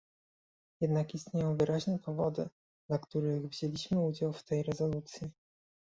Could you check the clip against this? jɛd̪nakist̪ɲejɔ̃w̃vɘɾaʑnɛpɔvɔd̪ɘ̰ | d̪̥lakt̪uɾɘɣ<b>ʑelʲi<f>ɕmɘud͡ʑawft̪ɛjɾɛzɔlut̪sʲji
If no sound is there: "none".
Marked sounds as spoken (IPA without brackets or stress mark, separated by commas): v, none